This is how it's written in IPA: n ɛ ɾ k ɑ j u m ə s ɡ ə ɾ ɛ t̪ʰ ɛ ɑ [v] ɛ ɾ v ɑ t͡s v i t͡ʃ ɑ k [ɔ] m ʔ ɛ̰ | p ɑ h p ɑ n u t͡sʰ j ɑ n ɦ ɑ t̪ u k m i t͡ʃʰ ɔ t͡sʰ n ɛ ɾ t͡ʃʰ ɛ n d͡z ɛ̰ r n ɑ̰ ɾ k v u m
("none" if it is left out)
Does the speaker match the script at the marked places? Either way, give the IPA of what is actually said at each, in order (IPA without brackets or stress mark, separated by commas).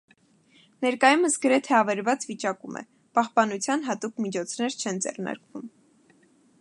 v, u